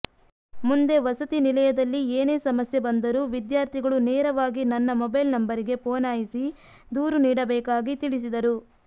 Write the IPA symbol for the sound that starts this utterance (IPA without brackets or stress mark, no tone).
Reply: m